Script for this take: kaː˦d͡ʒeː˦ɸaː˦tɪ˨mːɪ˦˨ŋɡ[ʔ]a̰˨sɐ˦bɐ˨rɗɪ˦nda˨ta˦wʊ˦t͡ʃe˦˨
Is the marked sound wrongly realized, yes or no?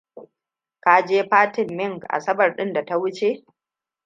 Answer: no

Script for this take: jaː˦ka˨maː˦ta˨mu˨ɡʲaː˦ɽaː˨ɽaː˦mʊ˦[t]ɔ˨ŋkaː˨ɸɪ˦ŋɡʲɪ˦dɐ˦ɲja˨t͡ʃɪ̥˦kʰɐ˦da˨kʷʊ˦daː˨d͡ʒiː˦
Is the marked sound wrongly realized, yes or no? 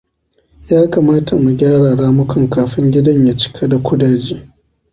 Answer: yes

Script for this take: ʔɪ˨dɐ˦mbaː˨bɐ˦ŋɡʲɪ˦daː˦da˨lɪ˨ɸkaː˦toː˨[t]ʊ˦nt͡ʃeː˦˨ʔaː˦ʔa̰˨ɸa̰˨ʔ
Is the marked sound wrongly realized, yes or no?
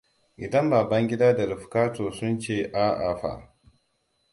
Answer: yes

